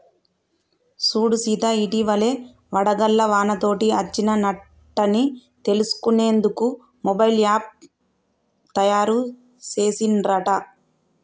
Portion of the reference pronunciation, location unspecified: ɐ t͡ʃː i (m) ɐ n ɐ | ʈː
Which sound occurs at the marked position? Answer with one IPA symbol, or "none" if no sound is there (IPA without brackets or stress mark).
n